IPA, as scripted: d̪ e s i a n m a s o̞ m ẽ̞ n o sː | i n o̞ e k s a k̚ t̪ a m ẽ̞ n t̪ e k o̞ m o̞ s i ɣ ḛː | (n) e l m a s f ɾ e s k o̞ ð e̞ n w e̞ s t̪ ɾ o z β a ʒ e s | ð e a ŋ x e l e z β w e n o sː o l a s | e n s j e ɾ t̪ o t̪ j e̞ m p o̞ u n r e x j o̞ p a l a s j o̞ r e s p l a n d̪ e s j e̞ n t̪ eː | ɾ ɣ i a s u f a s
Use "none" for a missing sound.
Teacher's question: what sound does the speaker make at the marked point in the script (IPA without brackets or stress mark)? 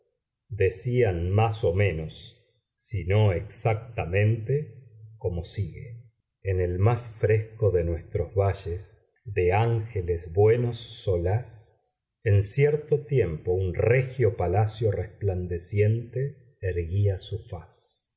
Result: n